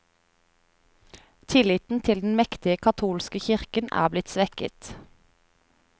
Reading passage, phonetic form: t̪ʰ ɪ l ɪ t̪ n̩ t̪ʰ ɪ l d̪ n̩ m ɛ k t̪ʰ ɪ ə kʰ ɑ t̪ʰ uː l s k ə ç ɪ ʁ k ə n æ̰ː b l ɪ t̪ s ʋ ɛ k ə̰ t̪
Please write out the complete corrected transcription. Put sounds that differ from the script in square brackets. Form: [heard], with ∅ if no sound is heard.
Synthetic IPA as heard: t̪ʰ ɪ l ɪ t̪ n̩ t̪ʰ ɪ l d̪ n̩ m ɛ k [t̪] ɪ ə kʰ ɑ t̪ʰ uː l s k ə ç ɪ ʁ k ə n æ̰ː b l ɪ t̪ s ʋ ɛ k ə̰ t̪